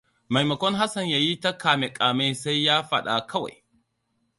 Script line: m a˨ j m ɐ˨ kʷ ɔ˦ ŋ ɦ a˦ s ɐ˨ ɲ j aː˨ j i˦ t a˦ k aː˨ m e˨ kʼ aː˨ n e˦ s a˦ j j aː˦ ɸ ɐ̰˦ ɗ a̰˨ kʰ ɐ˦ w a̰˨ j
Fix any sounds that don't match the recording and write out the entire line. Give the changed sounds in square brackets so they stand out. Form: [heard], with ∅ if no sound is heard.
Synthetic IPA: m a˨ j m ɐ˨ kʷ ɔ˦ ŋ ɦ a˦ s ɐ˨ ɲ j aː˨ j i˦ t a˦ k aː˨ m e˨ kʼ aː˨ [m] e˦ s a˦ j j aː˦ ɸ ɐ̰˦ ɗ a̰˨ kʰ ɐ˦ w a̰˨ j

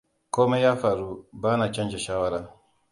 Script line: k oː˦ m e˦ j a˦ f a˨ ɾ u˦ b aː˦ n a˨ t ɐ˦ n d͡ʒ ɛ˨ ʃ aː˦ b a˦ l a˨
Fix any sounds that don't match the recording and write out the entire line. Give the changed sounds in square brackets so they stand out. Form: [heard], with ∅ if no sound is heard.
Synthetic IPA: k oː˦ m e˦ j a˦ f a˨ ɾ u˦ b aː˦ n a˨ [t͡ʃ] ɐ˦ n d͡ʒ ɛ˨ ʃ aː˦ [w] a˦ [ɾ] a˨

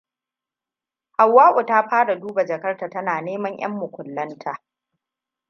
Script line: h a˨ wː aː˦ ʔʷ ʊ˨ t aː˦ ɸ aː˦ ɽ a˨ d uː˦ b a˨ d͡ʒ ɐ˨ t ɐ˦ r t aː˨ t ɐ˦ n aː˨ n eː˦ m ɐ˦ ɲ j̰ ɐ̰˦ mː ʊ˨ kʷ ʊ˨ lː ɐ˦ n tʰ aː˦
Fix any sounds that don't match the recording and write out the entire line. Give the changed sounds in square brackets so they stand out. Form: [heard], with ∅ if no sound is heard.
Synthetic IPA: h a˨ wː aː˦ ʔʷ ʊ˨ t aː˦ ɸ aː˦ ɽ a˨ d uː˦ b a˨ d͡ʒ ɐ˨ [k] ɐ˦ r t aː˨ t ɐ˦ n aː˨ n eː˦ m ɐ˦ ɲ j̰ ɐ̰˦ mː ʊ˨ kʷ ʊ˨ lː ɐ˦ n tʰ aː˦

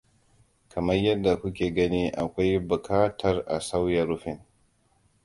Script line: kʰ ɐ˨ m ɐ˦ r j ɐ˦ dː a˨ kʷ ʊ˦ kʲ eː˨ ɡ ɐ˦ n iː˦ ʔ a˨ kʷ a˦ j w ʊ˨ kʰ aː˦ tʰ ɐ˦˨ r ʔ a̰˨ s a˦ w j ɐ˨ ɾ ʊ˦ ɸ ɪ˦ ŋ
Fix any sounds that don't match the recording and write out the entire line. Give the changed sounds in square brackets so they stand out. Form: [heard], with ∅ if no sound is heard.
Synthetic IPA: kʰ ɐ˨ m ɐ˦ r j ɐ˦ dː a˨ kʷ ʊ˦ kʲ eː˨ ɡ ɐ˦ n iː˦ ʔ a˨ kʷ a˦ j [b] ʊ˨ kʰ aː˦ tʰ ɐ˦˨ r ʔ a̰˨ s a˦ w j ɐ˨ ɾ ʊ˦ ɸ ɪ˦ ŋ

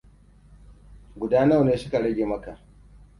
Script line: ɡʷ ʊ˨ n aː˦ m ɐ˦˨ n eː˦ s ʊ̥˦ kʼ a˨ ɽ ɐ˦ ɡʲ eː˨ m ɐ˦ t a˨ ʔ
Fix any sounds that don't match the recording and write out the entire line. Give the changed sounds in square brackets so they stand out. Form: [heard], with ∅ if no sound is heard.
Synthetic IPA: ɡʷ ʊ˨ [d] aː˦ [n] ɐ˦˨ n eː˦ s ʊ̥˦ [k] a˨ ɽ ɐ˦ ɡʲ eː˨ m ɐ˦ [k] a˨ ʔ

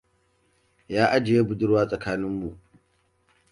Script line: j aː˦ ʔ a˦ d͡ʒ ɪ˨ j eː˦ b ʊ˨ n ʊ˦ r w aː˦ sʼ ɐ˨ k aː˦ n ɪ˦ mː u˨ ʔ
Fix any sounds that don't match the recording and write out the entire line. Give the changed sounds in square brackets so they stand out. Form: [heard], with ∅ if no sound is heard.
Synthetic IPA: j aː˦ ʔ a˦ d͡ʒ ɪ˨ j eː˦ b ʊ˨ [d] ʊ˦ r w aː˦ sʼ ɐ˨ k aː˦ n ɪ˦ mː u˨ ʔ

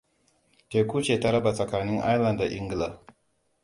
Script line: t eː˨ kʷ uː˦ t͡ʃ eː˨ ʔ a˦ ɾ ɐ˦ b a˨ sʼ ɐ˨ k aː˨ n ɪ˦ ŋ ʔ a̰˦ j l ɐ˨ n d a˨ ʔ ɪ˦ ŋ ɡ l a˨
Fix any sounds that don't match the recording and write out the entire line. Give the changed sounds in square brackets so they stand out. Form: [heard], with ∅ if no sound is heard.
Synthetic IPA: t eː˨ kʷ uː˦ t͡ʃ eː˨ [t] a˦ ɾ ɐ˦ b a˨ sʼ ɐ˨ k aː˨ n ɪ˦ ŋ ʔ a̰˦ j l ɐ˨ n d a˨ ʔ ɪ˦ ŋ ɡ l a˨

